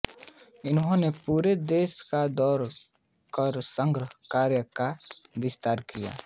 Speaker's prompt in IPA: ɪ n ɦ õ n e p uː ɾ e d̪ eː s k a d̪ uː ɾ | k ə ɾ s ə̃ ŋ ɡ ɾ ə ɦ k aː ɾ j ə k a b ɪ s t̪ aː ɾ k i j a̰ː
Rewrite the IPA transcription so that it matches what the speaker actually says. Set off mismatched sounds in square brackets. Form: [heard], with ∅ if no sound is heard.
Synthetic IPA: ɪ n ɦ õ n e p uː ɾ e d̪ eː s k a d̪ [ɔː] ɾ | k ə ɾ s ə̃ ŋ ɡ ɾ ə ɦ k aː ɾ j ə k a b ɪ s t̪ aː ɾ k i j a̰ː